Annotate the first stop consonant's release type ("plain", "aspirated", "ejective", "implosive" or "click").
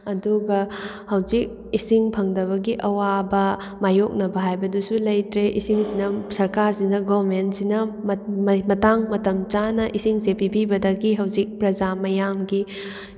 plain